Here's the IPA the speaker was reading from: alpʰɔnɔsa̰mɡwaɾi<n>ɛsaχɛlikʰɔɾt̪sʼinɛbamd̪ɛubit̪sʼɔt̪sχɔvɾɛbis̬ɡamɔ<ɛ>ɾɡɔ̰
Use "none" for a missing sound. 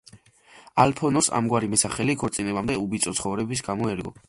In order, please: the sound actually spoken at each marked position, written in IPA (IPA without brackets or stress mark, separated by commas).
m, ɛ